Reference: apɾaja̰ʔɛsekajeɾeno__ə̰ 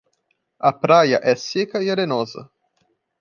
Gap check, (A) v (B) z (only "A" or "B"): B